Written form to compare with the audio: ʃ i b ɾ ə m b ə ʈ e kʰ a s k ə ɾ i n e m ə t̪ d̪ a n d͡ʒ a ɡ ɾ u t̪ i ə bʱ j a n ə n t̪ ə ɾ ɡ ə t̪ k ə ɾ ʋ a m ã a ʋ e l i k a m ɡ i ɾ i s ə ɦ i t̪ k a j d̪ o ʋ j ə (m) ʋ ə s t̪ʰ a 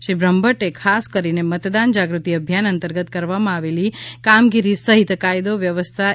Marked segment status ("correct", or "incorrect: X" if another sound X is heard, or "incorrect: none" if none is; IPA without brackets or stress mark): incorrect: none